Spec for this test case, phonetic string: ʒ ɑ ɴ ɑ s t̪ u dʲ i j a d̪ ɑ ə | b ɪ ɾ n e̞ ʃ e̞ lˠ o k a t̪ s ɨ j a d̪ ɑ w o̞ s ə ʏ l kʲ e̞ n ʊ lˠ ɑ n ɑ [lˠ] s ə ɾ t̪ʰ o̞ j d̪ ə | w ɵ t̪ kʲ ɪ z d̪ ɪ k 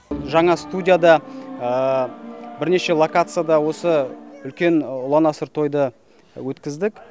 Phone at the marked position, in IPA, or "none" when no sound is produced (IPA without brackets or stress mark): none